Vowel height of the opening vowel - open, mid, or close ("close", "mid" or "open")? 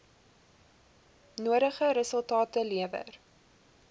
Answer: close